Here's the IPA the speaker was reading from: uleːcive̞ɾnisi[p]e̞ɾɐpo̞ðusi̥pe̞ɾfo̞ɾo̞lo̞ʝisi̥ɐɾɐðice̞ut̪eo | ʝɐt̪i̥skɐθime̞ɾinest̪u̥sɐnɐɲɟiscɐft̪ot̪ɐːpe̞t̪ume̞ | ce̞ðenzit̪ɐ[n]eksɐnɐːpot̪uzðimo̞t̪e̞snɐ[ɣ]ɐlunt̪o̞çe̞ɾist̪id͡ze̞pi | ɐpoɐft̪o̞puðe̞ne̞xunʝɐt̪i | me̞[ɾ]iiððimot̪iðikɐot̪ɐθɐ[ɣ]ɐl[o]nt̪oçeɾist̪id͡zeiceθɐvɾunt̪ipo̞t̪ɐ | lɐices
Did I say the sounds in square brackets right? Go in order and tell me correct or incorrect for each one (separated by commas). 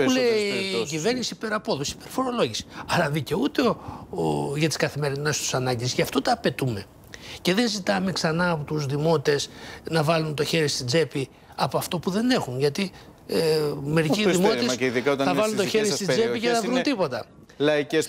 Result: correct, incorrect, incorrect, correct, incorrect, incorrect